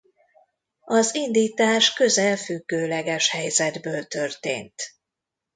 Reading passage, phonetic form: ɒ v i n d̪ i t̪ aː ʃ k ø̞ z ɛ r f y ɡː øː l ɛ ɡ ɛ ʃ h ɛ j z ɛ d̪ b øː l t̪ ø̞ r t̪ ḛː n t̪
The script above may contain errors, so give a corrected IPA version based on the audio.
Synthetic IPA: ɒ z i n d̪ iː t̪ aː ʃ k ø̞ z ɛ l f y ɡː øː l ɛ ɡ ɛ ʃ h ɛ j z ɛ d̪ b øː l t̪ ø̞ r t̪ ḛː n t̪